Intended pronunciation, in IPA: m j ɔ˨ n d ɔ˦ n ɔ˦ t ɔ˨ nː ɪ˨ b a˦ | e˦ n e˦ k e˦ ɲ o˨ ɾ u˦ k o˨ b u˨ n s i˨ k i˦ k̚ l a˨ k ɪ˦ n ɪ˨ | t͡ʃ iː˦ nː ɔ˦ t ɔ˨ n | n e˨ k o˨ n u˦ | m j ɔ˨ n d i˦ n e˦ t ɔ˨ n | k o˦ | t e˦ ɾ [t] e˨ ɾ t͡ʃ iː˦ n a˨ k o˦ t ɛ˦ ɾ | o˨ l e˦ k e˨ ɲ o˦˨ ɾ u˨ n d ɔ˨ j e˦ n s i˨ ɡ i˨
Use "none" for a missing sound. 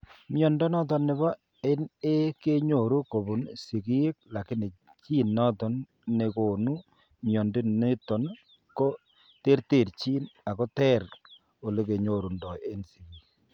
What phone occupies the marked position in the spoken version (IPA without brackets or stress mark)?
t